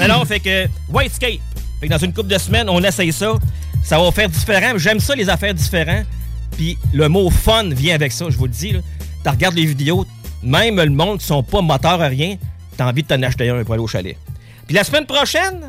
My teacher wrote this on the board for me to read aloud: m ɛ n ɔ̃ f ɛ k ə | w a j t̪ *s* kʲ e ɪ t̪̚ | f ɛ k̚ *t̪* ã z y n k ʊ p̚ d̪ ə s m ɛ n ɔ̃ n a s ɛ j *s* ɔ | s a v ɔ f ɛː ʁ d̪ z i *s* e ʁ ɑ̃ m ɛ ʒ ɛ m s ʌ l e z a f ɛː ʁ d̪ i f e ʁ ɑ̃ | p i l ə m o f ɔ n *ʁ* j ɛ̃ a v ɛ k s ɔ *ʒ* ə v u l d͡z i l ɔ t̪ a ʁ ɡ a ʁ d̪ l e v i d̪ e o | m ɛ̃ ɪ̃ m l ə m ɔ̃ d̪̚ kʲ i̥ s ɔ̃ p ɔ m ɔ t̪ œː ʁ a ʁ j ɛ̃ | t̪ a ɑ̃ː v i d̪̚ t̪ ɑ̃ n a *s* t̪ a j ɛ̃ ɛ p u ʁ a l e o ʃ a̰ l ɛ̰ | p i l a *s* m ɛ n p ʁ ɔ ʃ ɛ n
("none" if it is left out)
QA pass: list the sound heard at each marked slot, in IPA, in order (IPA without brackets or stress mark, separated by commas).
s, d̪, s, f, v, ʒ, ʃ, s